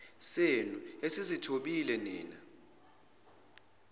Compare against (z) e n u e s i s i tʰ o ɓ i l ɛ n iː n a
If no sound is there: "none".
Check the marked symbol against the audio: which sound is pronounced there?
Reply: s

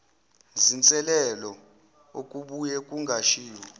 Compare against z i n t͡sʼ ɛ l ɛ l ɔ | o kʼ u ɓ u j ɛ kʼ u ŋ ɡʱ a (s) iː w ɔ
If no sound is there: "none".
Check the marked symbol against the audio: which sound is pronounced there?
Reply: ʃ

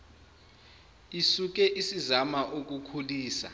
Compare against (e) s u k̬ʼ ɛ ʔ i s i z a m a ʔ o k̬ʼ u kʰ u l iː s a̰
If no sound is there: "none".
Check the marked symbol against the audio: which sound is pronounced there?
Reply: i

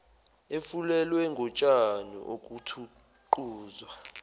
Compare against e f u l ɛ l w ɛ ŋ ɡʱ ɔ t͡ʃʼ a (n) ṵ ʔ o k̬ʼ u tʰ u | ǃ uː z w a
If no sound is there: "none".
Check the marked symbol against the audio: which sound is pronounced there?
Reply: n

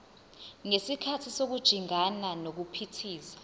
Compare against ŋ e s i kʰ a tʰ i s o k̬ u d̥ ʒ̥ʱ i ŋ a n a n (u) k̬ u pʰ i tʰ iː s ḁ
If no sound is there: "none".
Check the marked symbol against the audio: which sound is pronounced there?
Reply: o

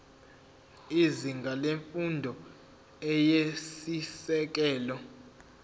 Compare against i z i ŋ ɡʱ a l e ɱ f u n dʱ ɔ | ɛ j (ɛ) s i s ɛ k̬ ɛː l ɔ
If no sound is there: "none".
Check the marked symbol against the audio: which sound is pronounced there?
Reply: e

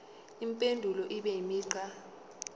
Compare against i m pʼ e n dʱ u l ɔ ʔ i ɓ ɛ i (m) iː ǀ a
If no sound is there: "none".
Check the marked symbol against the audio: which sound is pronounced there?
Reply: m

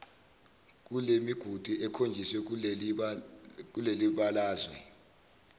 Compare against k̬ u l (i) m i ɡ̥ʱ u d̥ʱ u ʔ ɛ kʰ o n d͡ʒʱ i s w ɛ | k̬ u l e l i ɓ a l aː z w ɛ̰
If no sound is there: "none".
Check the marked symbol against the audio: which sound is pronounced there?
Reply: e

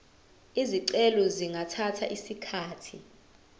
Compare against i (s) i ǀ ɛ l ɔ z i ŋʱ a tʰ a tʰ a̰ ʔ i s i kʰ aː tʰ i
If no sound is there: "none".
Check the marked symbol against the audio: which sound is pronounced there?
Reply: z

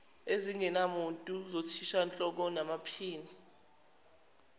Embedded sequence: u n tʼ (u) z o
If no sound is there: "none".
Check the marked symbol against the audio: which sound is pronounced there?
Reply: u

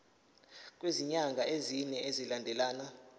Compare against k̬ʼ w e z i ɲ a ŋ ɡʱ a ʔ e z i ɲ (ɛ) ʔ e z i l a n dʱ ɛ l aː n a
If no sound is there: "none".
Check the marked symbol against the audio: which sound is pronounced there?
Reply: ɛ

